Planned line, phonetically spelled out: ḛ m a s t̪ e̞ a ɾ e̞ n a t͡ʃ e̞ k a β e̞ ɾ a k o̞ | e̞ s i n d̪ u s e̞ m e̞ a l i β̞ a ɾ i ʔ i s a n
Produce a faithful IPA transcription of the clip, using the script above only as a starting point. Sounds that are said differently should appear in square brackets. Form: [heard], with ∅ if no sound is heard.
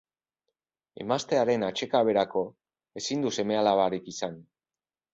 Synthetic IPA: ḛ m a s t̪ e̞ a ɾ e̞ n a t͡ʃ e̞ k a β e̞ ɾ a k o̞ | e̞ s i n d̪ u s e̞ m e̞ a l [a] β̞ a ɾ i [k] i s a n